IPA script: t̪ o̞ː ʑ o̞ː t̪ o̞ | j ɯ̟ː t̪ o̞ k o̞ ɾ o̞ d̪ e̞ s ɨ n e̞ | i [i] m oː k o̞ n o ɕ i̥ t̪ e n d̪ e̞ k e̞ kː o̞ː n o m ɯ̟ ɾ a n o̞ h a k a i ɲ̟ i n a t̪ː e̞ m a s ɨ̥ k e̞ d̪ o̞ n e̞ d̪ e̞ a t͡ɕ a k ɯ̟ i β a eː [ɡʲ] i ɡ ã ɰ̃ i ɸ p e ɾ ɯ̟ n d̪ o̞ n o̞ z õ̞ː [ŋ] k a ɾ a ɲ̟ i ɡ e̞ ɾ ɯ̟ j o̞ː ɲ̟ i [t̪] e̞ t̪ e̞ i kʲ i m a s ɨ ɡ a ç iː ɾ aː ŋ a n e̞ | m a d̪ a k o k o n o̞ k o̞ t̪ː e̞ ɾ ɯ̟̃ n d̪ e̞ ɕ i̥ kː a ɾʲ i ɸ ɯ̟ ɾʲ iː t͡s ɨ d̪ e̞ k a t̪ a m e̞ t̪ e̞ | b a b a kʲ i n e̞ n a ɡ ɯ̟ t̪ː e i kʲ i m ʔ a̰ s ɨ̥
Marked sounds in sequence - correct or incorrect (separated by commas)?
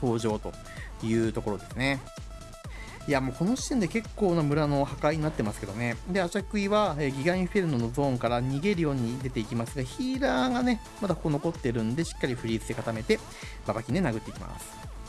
incorrect, correct, correct, incorrect